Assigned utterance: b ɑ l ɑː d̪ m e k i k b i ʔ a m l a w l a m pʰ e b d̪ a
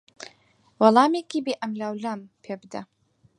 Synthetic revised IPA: w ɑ l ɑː m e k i b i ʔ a m l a w l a m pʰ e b d̪ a